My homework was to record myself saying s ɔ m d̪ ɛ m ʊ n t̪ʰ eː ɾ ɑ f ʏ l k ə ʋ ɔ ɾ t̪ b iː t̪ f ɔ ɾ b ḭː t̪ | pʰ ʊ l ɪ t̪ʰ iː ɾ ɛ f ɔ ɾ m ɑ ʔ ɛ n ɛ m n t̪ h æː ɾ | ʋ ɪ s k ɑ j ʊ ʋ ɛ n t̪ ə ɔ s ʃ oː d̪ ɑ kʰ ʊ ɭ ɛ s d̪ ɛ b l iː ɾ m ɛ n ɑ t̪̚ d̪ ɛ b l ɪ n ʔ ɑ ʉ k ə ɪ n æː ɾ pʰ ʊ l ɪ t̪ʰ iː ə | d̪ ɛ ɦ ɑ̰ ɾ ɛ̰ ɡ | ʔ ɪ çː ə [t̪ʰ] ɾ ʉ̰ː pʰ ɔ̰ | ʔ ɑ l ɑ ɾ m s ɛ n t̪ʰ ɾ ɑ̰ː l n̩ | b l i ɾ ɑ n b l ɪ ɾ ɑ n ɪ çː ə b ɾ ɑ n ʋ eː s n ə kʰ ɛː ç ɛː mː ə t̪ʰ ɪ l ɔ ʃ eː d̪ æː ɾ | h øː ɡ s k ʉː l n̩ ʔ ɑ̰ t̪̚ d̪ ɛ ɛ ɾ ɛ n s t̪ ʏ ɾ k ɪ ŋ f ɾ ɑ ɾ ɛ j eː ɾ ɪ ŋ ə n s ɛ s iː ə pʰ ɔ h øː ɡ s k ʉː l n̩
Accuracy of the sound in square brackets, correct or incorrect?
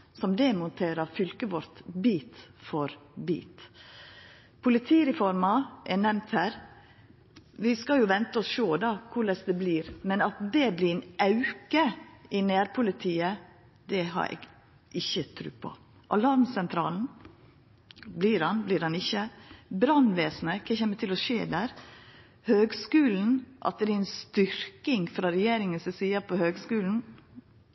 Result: correct